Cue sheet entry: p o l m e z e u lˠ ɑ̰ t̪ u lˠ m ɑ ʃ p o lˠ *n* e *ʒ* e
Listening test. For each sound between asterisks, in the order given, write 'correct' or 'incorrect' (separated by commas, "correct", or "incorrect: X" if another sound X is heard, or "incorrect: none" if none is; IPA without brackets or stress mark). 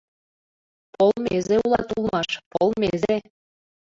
incorrect: m, incorrect: z